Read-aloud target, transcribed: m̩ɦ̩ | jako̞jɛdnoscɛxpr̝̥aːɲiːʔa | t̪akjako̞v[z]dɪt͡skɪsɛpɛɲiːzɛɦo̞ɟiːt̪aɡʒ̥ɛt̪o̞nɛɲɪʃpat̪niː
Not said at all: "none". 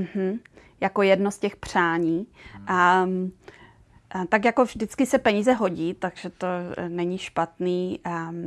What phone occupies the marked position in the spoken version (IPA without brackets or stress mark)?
ʒ